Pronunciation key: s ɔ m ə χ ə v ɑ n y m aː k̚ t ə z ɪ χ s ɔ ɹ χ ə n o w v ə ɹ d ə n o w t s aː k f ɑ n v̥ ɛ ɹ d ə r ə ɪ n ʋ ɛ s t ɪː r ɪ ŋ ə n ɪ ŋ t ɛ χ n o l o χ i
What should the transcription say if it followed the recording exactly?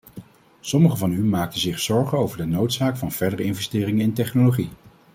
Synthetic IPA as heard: s ɔ m ə χ ə v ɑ n y m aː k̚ t ə z ɪ χ s ɔ ɹ χ ə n o w v ə ɹ d ə n o w t s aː k f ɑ n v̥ ɛ ɹ d ə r ə ɪ n v ɛ s t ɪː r ɪ ŋ ə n ɪ n t ɛ χ n o l o χ i